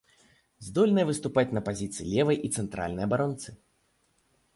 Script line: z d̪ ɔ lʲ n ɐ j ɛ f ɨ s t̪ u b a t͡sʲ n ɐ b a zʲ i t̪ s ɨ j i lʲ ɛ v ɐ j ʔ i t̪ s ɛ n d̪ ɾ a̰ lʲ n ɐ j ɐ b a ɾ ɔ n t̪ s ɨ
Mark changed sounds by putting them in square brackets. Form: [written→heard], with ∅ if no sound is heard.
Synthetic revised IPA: z d̪ ɔ lʲ n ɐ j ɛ [f→v] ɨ s t̪ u [b→p] a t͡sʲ n ɐ [b→p] a zʲ i t̪ s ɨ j i lʲ ɛ v ɐ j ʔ i t̪ s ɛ n [d̪→t̪] ɾ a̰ lʲ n ɐ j ɐ b a ɾ ɔ n t̪ s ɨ